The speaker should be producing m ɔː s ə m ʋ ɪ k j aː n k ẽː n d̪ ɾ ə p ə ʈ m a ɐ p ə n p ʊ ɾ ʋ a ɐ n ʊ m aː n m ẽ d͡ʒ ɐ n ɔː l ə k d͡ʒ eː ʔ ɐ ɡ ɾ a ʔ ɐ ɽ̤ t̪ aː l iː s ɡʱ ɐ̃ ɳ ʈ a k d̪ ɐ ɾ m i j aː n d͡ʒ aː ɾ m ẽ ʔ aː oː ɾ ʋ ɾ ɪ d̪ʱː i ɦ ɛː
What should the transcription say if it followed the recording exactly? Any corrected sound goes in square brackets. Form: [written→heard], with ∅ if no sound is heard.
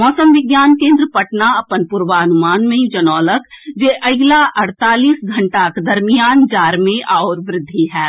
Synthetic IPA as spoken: m ɔː s ə m ʋ ɪ [k→ɡ] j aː n k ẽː n d̪ ɾ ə p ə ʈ [m→n] a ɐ p ə n p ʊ ɾ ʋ a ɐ n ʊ m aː n m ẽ d͡ʒ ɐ n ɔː l ə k d͡ʒ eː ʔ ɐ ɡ [ɾ→l] a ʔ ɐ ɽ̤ t̪ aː l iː s ɡʱ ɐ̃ ɳ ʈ a k d̪ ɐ ɾ m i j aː n d͡ʒ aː ɾ m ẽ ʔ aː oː ɾ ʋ ɾ ɪ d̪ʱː i ɦ ɛː